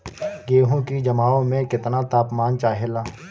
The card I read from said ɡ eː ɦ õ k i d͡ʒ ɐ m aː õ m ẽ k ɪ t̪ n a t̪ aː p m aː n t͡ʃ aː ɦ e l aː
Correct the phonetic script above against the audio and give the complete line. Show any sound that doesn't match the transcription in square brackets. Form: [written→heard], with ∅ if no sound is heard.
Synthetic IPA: ɡ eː ɦ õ k i d͡ʒ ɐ m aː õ m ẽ k ɪ t̪ n a t̪ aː p m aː n t͡ʃ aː ɦ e l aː

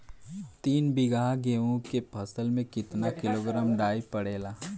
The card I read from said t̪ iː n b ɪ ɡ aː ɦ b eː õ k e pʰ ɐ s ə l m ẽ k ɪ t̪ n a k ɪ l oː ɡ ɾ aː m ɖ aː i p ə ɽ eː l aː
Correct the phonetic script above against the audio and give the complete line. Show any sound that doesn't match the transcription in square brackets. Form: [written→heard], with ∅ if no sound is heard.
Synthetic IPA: t̪ iː n b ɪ ɡ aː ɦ [b→ɡ] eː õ k e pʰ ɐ s ə l m ẽ k ɪ t̪ n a k ɪ l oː ɡ ɾ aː m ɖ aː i p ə ɽ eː l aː

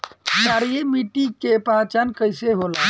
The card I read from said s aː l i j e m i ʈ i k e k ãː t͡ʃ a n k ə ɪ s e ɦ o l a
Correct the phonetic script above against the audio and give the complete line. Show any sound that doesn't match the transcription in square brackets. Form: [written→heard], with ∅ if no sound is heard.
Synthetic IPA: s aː [l→ɾ] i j e m i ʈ i k e [k→p] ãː t͡ʃ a n k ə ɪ s e ɦ o l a

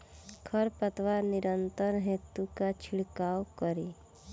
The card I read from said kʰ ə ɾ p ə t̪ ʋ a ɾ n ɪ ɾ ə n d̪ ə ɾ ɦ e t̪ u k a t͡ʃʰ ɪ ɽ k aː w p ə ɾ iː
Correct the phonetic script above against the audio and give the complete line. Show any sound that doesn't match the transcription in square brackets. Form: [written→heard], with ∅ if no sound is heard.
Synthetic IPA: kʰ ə ɾ p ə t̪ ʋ a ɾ n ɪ ɾ ə n [d̪→t̪] ə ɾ ɦ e t̪ u k a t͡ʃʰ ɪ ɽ k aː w [p→k] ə ɾ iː

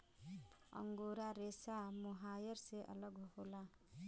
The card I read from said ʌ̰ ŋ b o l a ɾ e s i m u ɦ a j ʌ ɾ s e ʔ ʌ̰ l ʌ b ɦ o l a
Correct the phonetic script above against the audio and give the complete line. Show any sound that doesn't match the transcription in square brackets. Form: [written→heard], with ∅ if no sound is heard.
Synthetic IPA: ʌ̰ ŋ [b→ɡ] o [l→ɾ] a ɾ e s [i→a] m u ɦ a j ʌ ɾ s e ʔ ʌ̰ l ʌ [b→ɡ] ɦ o l a

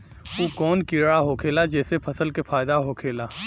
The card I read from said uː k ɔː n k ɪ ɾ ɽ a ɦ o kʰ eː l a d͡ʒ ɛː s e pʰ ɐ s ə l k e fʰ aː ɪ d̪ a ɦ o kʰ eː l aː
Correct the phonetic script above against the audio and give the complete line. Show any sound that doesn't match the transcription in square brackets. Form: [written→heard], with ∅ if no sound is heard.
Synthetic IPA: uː k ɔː n k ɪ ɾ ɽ a ɦ o kʰ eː l a d͡ʒ ɛː s e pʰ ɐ s ə l k e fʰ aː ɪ d̪ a ɦ o kʰ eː l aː

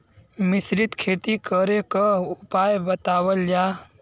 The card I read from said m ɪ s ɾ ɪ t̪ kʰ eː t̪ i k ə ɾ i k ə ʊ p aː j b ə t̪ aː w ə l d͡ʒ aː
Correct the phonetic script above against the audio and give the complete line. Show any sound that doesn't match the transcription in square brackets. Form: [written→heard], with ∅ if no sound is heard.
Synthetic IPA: m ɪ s ɾ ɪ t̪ kʰ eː t̪ i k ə ɾ [i→e] k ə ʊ p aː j b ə t̪ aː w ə l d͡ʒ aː

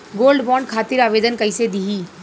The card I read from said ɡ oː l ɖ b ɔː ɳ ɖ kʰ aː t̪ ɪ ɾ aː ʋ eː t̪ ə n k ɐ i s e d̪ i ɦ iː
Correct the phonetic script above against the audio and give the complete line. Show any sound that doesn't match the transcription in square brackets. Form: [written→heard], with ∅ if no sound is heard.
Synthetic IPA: ɡ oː l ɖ b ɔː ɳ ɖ kʰ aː t̪ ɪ ɾ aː ʋ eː [t̪→d̪] ə n k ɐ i s e d̪ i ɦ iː

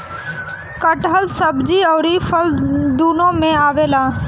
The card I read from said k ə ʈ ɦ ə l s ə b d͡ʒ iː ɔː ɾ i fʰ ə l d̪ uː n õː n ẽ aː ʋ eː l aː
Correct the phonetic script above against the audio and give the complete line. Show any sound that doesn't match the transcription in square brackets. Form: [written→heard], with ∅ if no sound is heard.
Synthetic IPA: k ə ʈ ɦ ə l s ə b d͡ʒ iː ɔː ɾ i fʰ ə l d̪ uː n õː [n→m] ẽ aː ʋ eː l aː

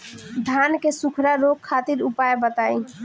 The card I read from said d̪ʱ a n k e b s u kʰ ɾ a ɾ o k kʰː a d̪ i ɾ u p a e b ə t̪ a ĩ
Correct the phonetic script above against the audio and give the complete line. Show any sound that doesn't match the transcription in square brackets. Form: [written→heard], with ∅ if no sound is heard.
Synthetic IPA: d̪ʱ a n k e [b→∅] s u kʰ ɾ a ɾ o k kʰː a [d̪→t̪] i ɾ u p a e b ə t̪ a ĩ

